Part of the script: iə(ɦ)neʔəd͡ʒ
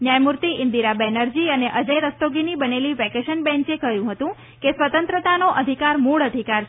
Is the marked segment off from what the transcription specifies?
yes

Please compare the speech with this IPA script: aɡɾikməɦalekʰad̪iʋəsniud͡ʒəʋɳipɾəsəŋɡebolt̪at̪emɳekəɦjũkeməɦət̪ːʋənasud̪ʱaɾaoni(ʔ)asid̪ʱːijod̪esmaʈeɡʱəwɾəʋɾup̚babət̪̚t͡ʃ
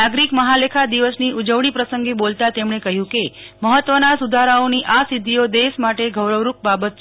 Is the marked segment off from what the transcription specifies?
no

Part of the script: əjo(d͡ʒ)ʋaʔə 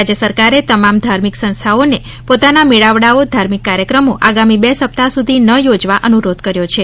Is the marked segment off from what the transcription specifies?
no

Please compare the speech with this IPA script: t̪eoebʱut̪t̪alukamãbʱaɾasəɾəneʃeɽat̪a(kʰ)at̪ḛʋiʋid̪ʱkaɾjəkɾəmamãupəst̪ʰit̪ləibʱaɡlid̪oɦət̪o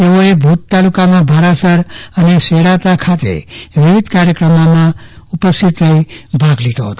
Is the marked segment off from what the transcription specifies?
no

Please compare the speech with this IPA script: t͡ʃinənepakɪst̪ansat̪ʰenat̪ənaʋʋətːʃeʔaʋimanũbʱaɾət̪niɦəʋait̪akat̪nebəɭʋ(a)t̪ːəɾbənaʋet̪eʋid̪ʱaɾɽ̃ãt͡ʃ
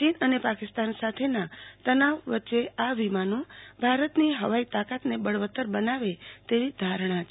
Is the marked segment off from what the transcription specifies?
yes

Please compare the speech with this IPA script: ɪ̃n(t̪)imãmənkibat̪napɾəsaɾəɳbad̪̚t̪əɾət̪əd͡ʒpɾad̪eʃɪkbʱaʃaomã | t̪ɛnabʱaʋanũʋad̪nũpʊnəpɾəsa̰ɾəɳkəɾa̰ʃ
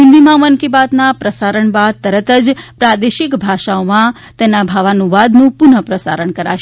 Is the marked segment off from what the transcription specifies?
yes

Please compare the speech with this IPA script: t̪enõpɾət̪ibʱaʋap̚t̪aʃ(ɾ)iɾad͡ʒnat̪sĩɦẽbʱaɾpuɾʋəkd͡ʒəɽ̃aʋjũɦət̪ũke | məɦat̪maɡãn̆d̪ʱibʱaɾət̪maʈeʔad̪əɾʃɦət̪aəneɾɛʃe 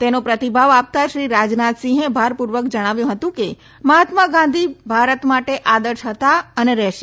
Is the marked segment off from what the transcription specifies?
no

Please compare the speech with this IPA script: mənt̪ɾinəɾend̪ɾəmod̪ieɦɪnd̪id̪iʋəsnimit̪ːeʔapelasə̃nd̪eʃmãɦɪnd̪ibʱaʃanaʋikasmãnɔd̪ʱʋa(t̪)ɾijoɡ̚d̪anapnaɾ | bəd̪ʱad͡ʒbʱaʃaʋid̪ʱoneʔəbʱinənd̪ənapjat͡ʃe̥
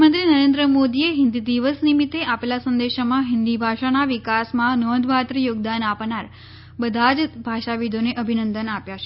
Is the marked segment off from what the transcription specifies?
no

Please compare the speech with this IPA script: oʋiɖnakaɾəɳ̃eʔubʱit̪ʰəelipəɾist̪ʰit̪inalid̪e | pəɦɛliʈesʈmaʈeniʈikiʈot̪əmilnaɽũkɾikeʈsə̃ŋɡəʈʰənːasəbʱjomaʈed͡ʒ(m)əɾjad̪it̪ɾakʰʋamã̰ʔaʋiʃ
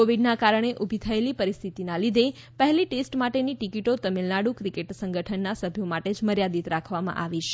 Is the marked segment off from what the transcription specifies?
no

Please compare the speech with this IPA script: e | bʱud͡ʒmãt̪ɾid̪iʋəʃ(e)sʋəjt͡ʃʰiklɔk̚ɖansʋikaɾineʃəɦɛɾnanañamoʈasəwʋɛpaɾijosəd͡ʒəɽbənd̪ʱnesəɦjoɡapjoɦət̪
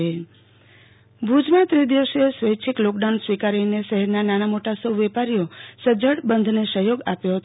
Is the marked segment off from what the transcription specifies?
no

